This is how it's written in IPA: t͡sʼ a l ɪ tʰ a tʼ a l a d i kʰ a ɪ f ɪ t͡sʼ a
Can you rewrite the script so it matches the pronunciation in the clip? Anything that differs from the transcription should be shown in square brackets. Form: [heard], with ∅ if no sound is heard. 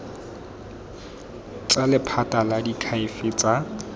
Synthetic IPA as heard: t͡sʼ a l ɪ [pʰ] a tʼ a l a d i kʰ a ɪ f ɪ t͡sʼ a

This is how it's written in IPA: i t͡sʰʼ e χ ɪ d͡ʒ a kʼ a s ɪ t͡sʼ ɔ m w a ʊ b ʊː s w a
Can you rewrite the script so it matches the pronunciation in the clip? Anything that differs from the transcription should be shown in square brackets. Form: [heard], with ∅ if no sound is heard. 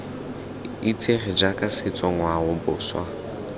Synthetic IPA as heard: i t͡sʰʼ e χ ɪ d͡ʒ a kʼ a s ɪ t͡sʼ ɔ [ŋ] w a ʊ b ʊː s w a

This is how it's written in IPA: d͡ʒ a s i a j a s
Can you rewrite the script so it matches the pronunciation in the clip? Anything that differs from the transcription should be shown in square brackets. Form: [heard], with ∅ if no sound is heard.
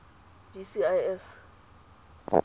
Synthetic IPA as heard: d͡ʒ [i] s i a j [ɛ] s

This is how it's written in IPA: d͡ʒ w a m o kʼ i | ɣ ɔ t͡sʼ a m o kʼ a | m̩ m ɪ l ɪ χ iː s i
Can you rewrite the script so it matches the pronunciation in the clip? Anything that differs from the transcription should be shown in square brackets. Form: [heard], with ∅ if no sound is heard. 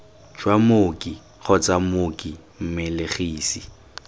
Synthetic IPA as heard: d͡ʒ w a m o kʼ i | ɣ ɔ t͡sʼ a m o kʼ [i] | m̩ m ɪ l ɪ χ iː s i

